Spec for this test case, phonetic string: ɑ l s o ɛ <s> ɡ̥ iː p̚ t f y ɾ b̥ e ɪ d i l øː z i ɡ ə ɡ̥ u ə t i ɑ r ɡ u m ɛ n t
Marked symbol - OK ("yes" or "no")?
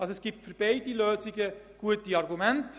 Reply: yes